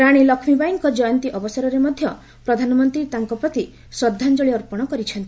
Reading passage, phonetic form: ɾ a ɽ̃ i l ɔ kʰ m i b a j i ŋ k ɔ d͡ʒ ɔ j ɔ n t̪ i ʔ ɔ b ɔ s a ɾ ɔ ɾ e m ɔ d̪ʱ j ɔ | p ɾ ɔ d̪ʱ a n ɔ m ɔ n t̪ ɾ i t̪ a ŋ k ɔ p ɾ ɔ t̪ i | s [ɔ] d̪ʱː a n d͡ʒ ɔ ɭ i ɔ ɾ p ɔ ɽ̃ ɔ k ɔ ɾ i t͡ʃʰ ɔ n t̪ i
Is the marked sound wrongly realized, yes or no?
no